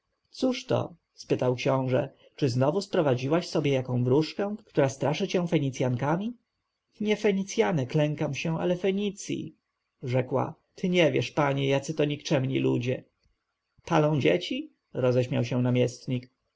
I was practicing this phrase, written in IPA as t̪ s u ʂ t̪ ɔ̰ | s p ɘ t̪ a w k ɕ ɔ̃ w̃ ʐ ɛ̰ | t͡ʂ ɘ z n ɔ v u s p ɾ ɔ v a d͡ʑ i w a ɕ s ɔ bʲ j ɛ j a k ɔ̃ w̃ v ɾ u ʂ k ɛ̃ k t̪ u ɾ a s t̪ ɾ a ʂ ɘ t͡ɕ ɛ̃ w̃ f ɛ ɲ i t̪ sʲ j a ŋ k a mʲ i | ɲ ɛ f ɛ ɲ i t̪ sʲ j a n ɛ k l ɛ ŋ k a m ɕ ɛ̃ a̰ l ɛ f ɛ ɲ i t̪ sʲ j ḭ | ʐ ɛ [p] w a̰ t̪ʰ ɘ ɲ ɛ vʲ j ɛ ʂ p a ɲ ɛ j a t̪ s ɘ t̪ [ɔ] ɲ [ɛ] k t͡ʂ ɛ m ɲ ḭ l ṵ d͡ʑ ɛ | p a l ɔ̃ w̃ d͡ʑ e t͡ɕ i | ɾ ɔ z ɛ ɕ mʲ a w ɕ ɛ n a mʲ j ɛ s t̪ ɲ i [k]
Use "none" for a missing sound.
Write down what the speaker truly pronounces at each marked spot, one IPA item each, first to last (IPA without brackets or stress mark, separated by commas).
k, ɔ, i, k